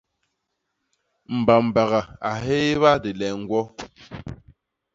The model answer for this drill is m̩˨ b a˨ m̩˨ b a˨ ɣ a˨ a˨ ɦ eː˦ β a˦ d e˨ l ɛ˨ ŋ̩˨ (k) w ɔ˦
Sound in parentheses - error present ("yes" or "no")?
yes